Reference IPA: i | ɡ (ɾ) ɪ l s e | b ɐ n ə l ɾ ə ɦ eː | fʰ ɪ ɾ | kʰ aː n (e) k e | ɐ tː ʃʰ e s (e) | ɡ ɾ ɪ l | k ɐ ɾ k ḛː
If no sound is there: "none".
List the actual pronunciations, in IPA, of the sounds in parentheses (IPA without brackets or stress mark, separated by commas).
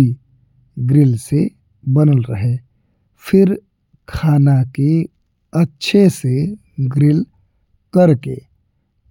ɾ, a, e